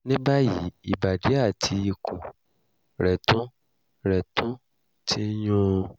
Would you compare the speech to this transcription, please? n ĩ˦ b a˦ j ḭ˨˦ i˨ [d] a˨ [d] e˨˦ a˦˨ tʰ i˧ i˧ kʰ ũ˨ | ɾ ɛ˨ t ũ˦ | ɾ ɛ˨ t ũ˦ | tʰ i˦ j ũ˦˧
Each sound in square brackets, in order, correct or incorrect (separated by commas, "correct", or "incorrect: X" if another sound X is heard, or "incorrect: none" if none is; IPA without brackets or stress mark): incorrect: b, correct